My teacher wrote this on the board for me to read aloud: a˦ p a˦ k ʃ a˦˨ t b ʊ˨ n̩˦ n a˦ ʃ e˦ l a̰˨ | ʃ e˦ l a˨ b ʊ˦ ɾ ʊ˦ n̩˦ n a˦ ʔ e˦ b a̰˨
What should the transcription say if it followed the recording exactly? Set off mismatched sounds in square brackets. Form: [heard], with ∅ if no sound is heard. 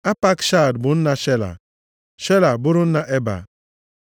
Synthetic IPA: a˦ p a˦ k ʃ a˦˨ [d] b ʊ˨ n̩˦ n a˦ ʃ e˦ l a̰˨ | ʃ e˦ l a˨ b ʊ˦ ɾ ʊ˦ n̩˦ n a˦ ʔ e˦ b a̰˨